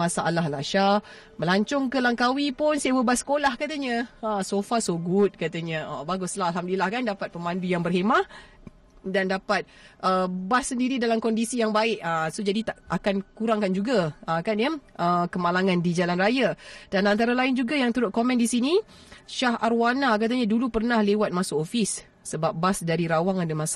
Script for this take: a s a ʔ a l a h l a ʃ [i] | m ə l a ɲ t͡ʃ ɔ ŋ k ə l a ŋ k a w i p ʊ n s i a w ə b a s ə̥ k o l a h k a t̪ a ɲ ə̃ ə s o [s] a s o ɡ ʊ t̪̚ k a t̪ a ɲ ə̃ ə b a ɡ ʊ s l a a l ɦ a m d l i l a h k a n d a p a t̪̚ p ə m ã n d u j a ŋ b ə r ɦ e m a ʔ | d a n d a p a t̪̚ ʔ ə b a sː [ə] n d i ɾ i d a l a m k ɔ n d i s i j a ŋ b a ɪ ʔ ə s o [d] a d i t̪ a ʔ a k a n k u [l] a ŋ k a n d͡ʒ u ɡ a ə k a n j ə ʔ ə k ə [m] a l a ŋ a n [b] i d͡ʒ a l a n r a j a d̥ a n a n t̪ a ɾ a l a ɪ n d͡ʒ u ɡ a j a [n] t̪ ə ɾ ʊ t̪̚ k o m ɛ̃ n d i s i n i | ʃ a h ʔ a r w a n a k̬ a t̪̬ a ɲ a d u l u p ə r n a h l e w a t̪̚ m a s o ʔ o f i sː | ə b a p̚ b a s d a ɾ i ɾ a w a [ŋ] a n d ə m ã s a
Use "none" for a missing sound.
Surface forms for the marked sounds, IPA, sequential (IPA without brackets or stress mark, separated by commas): a, f, ə, d͡ʒ, ɾ, m, d, ŋ, ŋ